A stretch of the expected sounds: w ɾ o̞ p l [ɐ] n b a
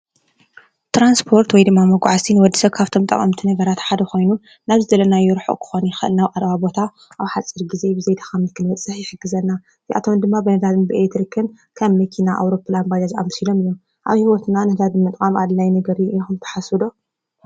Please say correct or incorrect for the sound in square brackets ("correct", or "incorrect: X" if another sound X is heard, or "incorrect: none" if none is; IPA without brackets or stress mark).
incorrect: a